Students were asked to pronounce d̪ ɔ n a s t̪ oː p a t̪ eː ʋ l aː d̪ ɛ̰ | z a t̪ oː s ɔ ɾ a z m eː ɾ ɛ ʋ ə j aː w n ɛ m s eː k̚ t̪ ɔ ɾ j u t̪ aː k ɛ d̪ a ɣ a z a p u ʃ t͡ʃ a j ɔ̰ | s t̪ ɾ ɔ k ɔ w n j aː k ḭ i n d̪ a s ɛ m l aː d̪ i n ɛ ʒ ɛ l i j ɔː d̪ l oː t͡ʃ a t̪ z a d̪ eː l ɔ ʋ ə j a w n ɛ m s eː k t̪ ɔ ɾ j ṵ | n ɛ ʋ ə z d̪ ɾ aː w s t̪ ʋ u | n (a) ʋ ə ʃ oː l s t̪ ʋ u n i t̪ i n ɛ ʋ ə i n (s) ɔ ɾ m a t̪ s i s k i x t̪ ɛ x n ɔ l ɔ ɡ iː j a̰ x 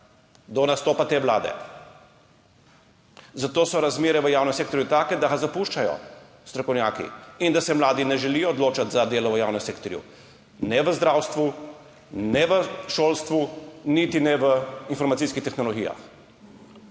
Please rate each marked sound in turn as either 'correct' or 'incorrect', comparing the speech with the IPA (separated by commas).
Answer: incorrect, incorrect